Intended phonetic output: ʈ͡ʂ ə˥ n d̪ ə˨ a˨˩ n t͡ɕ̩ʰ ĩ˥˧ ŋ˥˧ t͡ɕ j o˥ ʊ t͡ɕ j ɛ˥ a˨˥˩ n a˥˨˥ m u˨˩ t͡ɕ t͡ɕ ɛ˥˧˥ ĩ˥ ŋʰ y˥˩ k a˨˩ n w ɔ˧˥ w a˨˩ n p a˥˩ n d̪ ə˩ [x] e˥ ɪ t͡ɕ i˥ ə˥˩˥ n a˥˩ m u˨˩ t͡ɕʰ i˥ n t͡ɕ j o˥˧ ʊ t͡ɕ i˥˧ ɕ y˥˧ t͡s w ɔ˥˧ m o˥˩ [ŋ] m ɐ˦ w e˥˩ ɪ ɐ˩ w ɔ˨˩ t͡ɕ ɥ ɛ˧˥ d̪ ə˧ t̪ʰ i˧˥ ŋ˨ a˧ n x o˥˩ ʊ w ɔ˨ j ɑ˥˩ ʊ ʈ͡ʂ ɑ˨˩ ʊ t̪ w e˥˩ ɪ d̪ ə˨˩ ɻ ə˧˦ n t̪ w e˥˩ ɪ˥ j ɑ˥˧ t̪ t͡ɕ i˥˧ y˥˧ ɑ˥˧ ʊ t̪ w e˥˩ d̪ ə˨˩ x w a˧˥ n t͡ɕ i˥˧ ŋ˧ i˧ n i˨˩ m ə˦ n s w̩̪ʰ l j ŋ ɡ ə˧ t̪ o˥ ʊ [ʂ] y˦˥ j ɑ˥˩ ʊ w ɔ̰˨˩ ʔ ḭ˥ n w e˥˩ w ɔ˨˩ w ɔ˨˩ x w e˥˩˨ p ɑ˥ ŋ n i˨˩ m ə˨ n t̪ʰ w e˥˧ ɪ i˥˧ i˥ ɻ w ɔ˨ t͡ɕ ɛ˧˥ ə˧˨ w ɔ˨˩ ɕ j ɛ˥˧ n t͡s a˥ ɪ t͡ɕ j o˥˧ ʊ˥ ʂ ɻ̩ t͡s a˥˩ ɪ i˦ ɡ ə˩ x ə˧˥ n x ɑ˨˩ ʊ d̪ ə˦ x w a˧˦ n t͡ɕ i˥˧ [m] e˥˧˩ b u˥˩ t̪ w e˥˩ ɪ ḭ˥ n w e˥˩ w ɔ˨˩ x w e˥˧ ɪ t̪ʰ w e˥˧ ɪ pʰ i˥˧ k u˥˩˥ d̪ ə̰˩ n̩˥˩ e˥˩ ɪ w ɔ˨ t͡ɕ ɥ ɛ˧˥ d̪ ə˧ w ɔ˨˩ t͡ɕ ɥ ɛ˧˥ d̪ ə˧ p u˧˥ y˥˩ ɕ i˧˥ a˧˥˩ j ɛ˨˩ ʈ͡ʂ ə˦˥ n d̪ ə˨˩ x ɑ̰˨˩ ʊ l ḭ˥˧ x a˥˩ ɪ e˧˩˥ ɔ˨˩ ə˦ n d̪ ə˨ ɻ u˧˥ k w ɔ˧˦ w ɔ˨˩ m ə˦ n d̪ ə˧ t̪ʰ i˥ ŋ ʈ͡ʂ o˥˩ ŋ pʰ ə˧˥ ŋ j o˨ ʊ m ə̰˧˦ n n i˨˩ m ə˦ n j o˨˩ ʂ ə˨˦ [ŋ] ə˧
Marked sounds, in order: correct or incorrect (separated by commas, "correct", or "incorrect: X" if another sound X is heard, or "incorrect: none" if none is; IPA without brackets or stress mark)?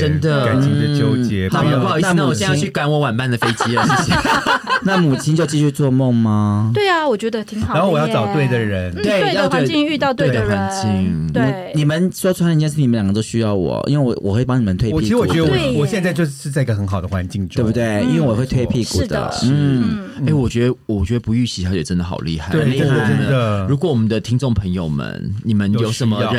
incorrect: f, correct, incorrect: ɕ, incorrect: ŋ, incorrect: m